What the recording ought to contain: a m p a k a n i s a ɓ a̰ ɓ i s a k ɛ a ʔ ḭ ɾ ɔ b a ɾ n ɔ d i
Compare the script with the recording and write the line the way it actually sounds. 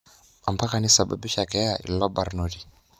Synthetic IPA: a m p a k a n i s a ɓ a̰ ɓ i ʃ a k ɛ a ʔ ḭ l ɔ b a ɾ n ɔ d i